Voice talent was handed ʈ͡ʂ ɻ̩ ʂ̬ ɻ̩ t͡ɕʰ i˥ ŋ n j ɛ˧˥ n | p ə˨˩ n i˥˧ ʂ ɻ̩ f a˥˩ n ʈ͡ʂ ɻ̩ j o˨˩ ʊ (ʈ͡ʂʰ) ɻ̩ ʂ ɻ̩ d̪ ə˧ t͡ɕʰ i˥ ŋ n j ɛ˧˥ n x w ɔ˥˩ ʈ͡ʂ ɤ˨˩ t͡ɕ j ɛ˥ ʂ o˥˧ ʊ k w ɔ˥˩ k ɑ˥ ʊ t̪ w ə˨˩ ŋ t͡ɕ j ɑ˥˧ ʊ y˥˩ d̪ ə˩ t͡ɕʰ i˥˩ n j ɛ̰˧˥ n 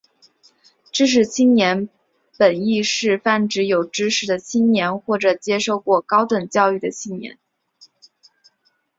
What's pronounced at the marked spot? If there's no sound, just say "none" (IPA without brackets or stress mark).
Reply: ʈ͡ʂ